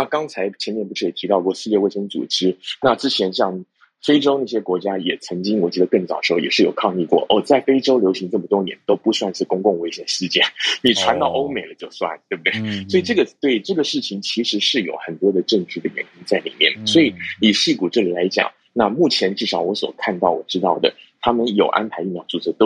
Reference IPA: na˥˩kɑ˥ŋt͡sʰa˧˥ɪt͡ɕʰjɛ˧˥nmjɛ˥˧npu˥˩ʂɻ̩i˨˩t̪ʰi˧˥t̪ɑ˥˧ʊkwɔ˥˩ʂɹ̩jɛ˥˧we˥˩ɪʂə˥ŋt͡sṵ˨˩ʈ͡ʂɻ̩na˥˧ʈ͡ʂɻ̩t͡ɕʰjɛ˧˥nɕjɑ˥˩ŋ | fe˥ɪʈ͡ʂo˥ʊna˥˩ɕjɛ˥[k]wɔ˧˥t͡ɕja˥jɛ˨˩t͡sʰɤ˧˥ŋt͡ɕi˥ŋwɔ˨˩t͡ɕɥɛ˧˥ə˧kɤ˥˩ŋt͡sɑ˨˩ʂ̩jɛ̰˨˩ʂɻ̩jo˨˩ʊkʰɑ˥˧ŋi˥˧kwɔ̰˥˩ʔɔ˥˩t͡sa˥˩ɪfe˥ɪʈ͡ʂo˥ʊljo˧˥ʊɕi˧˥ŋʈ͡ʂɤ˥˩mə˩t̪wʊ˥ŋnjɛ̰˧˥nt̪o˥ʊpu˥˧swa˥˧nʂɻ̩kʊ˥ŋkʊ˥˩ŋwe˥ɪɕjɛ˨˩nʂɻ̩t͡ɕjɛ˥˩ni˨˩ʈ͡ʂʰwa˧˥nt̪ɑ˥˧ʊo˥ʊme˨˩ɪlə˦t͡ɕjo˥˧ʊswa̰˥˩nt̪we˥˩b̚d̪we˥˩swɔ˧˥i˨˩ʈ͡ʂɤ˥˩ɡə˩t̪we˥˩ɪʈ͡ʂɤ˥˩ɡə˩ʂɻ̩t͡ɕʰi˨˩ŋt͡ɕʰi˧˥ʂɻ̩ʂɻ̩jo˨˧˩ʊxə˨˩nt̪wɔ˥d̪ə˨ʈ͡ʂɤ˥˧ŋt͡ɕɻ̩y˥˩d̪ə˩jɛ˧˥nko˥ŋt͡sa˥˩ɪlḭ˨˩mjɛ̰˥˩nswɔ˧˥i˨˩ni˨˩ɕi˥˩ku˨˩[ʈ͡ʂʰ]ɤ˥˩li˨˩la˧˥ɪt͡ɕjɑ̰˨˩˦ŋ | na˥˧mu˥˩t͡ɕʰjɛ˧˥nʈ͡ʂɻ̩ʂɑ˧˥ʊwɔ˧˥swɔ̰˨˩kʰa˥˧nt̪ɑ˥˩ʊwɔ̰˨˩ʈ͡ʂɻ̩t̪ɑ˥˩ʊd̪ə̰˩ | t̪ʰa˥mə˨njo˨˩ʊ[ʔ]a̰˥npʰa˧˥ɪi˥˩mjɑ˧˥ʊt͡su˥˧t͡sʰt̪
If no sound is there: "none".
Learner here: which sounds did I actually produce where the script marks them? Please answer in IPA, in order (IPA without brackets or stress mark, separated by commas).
k, ʈ͡ʂ, ʔ